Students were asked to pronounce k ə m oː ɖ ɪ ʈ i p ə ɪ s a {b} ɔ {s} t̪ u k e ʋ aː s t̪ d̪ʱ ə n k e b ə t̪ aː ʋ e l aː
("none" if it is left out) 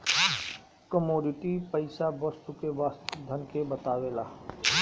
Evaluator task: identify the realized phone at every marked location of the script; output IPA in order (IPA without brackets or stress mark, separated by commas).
b, s